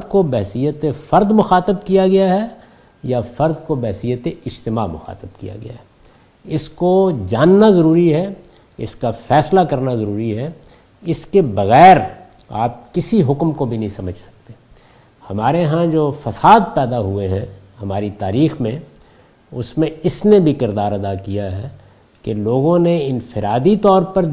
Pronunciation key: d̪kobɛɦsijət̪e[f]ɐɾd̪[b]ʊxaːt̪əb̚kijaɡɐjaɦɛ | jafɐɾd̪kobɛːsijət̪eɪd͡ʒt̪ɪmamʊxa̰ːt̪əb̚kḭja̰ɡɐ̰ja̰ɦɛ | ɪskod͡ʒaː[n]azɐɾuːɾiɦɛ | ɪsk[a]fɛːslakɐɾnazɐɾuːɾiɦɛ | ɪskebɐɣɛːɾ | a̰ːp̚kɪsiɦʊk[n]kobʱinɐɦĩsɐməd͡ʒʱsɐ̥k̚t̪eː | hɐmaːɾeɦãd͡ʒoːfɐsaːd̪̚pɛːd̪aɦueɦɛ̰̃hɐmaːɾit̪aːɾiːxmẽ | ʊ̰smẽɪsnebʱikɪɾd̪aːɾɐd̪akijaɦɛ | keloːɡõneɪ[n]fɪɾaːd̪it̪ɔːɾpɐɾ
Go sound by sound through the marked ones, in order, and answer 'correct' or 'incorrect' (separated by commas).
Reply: correct, incorrect, incorrect, correct, incorrect, correct